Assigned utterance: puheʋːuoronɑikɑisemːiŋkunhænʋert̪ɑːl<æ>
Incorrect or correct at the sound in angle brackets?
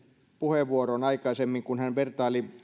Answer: incorrect: i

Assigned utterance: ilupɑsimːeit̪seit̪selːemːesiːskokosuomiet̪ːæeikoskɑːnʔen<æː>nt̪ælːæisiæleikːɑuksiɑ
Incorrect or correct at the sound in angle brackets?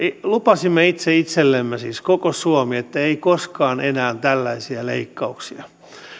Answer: correct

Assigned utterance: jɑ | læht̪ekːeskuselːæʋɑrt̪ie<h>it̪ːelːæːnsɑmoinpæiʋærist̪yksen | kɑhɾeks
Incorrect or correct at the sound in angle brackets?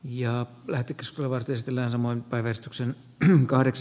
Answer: incorrect: s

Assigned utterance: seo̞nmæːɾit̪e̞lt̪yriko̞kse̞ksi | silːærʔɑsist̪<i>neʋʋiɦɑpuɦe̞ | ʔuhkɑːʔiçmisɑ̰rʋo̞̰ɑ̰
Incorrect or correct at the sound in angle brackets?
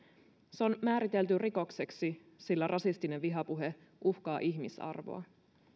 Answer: correct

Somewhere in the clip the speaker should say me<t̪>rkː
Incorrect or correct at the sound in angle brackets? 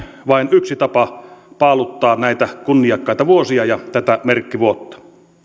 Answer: incorrect: none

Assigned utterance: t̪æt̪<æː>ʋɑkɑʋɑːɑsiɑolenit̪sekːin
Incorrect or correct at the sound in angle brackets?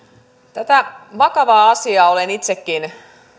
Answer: incorrect: æ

